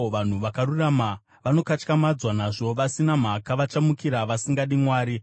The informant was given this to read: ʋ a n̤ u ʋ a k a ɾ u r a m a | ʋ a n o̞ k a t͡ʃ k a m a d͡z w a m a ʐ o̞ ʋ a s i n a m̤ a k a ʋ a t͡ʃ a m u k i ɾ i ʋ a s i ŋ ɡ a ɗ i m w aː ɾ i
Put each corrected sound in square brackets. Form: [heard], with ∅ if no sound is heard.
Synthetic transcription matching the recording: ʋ a n̤ u ʋ a k a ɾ u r a m a | ʋ a n o̞ k a t͡ʃ k a m a d͡z w a [n] a ʐ o̞ ʋ a s i n a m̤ a k a ʋ a t͡ʃ a m u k i ɾ [a] ʋ a s i ŋ ɡ a ɗ i m w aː ɾ i